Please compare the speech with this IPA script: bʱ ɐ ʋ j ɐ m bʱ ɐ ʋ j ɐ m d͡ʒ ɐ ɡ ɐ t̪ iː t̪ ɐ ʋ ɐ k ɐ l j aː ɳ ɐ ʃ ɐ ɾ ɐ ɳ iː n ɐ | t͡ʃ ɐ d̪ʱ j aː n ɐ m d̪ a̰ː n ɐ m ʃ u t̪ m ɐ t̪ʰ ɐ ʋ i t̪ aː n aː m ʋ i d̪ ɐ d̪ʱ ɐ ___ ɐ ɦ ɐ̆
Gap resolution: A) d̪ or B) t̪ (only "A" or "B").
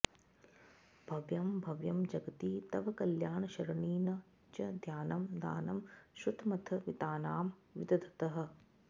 B